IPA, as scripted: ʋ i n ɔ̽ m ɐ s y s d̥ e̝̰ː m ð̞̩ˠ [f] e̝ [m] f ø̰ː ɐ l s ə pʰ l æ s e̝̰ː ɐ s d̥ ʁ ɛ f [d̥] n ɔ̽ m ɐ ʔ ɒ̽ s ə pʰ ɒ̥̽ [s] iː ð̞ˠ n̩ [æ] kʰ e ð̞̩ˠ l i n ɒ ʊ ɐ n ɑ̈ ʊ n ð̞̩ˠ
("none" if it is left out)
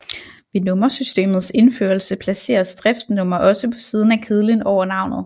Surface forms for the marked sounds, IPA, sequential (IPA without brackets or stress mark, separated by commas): s, n, d̥, s, æ